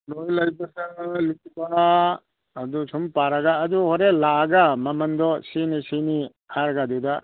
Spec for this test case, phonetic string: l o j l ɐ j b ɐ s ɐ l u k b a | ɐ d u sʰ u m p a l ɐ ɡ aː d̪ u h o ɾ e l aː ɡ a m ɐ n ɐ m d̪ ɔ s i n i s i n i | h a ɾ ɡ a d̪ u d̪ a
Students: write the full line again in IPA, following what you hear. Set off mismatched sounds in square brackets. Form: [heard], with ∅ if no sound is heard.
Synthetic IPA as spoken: l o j l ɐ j b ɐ s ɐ l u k b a | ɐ d u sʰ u m p a [ɾ] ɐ ɡ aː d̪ u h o ɾ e l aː ɡ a m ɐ [m] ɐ [n] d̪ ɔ s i n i s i n i | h a ɾ ɡ a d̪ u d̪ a

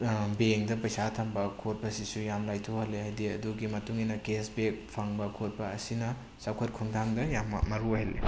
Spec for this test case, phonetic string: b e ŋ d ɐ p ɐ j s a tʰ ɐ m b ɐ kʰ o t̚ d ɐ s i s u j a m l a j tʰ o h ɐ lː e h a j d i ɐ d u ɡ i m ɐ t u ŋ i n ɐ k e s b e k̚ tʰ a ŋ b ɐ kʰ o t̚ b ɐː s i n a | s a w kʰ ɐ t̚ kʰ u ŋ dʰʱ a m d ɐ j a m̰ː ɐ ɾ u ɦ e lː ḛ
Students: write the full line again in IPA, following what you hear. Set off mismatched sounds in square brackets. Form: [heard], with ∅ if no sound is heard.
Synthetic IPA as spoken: b e ŋ d ɐ p ɐ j s a tʰ ɐ m b ɐ kʰ o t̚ [b] ɐ s i s u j a m l a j tʰ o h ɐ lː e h a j d i ɐ d u ɡ i m ɐ t u ŋ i n ɐ k e s b e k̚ [pʰ] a ŋ b ɐ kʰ o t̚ b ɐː s i n [ɐ] | s a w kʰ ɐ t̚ kʰ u ŋ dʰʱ a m d ɐ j a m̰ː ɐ ɾ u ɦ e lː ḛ

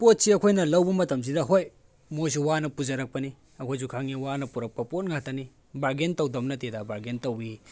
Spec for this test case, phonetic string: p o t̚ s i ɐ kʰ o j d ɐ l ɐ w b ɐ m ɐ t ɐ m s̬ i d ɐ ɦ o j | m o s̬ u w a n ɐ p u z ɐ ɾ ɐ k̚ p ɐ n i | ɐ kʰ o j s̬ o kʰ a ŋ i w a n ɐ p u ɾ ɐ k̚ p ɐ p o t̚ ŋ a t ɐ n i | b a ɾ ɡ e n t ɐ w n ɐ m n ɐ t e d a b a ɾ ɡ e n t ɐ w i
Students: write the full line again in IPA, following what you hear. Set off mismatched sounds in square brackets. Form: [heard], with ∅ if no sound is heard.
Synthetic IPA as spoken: p o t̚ s i ɐ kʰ o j [n] ɐ l ɐ w b ɐ m ɐ t ɐ m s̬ i d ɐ ɦ o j | m o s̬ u w a n ɐ p u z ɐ ɾ ɐ k̚ p ɐ n i | ɐ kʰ o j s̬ [u] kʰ a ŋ i w a n ɐ p u ɾ ɐ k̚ p ɐ p o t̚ ŋ a t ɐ n i | b a ɾ ɡ e n t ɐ w [d] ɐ m n ɐ t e d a b a ɾ ɡ e n t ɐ w i

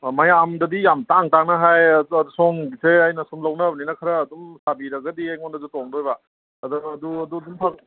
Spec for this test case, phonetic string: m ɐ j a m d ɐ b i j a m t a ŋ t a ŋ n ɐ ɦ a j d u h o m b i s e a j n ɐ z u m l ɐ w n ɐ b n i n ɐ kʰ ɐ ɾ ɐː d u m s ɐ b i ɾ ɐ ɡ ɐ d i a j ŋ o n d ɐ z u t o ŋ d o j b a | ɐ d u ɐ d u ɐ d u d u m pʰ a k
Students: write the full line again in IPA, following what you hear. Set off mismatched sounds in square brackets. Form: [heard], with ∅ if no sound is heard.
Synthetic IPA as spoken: m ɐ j a m d ɐ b i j a m t a ŋ t a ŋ n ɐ ɦ a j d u [s] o [ŋ] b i s e a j n ɐ [s] u m l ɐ w n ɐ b n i n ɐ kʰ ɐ ɾ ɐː d u m s [a] b i ɾ ɐ ɡ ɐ d i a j ŋ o n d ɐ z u t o ŋ d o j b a | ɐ d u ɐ d u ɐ d u d u m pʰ a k

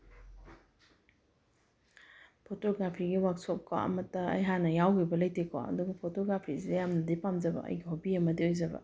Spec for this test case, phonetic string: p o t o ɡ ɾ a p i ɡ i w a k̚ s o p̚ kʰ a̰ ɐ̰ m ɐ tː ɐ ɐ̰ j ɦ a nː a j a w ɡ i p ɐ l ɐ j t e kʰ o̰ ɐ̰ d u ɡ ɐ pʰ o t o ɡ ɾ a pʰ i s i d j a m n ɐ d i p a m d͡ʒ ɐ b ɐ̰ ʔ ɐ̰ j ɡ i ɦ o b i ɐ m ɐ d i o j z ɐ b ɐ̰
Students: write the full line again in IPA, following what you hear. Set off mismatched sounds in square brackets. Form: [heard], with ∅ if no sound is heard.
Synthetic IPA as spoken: [pʰ] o t o ɡ ɾ a [pʰ] i ɡ i w a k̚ s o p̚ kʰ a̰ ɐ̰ m ɐ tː ɐ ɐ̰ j ɦ a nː [ɐ] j a w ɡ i [b] ɐ l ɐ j t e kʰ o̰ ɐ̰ d u ɡ ɐ pʰ o t o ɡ ɾ a pʰ i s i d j a m n ɐ d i p a m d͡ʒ ɐ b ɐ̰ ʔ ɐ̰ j ɡ i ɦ o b i ɐ m ɐ d i o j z ɐ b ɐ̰

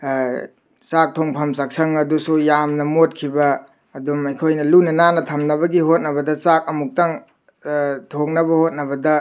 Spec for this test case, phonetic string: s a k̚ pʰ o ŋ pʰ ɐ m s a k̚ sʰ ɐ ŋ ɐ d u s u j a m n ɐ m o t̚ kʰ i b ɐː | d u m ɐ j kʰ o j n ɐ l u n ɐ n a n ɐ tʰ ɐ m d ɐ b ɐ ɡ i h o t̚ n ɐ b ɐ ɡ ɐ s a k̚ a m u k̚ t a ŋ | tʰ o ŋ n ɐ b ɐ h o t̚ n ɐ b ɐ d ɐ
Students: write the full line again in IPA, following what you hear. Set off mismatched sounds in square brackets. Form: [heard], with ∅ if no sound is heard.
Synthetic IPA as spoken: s a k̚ [tʰ] o ŋ pʰ ɐ m s a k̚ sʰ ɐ ŋ ɐ d u s u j a m n ɐ m o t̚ kʰ i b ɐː | d u m ɐ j kʰ o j n ɐ l u n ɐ n a n ɐ tʰ ɐ m [n] ɐ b ɐ ɡ i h o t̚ n ɐ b ɐ [d] ɐ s a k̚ [ɐ] m u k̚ t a ŋ | tʰ o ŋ n ɐ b ɐ h o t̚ n ɐ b ɐ d ɐ

